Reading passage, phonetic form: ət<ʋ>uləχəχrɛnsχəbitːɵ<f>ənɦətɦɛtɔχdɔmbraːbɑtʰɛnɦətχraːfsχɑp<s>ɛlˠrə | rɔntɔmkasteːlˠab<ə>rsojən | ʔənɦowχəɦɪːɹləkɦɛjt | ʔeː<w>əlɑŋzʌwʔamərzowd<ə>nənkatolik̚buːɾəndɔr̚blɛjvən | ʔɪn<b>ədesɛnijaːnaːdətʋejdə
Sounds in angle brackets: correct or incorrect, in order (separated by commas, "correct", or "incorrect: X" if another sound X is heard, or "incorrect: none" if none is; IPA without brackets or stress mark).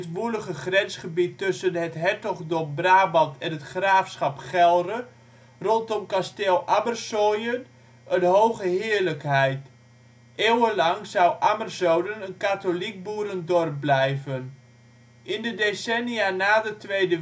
correct, incorrect: s, incorrect: χ, correct, correct, correct, incorrect: d